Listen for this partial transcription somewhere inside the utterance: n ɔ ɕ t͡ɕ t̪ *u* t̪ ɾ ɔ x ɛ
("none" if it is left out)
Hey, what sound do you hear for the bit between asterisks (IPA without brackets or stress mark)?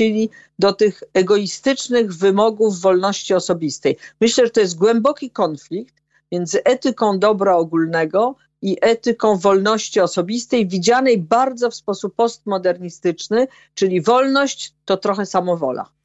ɔ